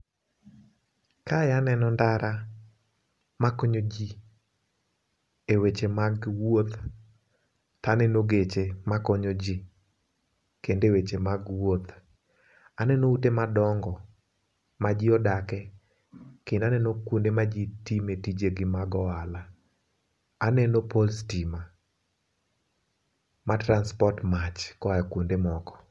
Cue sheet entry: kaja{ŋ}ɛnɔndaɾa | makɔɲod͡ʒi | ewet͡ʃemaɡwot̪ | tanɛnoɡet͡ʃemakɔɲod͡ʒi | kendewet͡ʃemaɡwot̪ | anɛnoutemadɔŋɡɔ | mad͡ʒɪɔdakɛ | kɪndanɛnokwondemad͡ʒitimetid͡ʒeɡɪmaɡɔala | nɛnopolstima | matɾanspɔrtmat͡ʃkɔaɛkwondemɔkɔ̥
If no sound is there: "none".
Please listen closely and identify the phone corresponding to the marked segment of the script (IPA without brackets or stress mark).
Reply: n